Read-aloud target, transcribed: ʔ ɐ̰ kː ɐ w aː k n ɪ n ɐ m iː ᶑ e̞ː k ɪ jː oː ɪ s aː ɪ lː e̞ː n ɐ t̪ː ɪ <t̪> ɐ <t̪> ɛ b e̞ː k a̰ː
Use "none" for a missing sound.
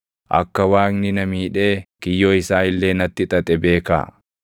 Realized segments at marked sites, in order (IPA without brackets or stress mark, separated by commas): t̪ʼ, t̪ʼ